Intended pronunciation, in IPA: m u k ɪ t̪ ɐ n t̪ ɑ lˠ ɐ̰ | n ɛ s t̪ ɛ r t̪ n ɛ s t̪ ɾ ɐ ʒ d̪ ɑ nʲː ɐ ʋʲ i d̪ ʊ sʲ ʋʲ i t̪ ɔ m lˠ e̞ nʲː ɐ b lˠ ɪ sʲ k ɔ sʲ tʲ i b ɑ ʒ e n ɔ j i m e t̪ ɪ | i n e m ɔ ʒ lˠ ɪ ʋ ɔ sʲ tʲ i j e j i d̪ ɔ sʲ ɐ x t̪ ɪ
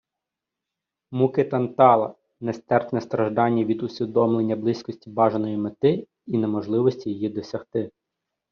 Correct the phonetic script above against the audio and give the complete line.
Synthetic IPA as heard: m u k ɪ t̪ ɐ n t̪ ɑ lˠ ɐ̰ | n ɛ s t̪ ɛ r t̪ n ɛ s t̪ ɾ ɐ ʒ d̪ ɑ nʲː ɐ ʋʲ i d̪ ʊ sʲ ʋʲ i d̪ ɔ m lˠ e̞ nʲː ɐ b lˠ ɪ sʲ k ɔ sʲ tʲ i b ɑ ʒ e n ɔ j i m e t̪ ɪ | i n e m ɔ ʒ lˠ ɪ ʋ ɔ sʲ tʲ i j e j i d̪ ɔ sʲ ɐ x t̪ ɪ